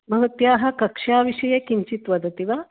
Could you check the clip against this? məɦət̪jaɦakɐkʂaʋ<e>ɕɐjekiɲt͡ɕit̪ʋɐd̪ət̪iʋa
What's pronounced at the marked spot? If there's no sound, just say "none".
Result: i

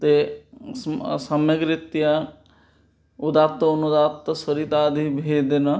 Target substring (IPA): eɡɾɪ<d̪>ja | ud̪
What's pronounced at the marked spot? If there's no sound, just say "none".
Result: t̪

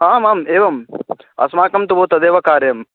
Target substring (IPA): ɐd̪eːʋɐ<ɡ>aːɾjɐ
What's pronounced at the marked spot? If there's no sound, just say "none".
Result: k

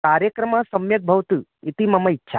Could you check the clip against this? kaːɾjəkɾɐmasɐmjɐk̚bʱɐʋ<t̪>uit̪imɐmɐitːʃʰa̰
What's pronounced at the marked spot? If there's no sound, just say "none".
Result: t̪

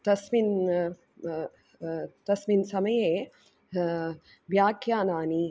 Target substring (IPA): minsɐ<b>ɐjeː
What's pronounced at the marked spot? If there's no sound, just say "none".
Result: m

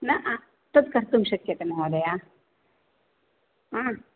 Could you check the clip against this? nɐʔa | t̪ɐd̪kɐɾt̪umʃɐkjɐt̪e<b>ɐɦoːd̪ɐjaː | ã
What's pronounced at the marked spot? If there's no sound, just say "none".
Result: m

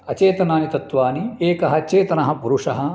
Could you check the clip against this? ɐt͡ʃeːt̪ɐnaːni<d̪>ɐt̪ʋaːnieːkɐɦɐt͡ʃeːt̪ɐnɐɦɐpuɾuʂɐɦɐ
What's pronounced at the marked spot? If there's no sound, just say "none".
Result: t̪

